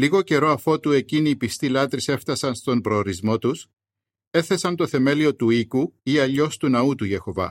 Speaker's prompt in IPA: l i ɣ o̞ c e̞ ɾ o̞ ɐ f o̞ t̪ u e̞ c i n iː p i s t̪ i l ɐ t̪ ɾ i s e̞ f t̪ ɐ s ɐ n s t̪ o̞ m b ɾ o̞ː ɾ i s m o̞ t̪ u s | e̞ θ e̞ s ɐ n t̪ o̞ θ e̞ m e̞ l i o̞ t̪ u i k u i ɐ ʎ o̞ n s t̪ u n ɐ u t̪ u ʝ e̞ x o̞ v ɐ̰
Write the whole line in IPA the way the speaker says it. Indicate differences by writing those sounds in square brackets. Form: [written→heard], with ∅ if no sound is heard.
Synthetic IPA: l i ɣ o̞ c e̞ ɾ o̞ ɐ f o̞ t̪ u e̞ c i n iː p i s t̪ i l ɐ t̪ ɾ i s e̞ f t̪ ɐ s ɐ n s t̪ o̞ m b ɾ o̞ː ɾ i [s→z] m o̞ t̪ u s | e̞ θ e̞ s ɐ n t̪ o̞ θ e̞ m e̞ l i o̞ t̪ u i k u i ɐ ʎ o̞ [n→∅] s t̪ u n ɐ u t̪ u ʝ e̞ x o̞ v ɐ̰